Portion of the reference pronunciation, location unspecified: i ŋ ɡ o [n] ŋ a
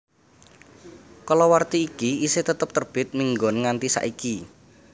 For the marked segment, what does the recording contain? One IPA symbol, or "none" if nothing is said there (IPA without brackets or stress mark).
n